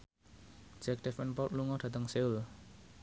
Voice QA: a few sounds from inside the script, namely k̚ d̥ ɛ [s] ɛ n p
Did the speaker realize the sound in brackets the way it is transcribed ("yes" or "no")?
no